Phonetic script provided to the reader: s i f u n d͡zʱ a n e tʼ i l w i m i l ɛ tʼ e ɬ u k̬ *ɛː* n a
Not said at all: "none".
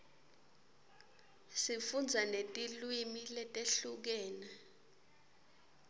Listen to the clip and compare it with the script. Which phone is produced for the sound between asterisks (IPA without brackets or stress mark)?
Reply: ɛː